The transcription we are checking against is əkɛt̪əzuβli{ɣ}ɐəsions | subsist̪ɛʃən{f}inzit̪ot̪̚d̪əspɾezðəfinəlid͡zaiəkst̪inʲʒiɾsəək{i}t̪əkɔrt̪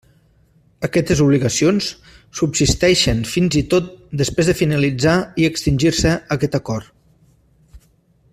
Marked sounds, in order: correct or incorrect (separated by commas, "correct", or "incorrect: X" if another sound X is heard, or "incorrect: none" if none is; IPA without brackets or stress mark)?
correct, correct, incorrect: ɛ